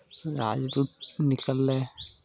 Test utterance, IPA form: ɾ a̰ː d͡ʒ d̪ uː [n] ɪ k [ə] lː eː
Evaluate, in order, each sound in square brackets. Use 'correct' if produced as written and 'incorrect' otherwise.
correct, correct

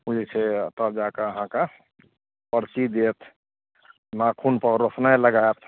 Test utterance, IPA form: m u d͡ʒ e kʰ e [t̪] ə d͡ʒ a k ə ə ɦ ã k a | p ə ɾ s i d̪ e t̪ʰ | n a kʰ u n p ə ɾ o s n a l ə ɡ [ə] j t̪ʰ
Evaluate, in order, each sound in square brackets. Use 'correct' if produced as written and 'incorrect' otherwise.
correct, incorrect: a

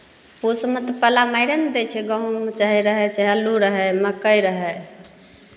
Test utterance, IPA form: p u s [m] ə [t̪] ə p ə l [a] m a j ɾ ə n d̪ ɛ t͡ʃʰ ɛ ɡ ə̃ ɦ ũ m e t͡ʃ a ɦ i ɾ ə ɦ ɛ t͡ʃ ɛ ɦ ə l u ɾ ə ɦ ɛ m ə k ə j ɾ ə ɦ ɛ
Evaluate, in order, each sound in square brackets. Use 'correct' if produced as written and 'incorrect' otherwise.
correct, correct, correct

